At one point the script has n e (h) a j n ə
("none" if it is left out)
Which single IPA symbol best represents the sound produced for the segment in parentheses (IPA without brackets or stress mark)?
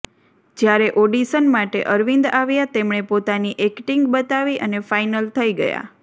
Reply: f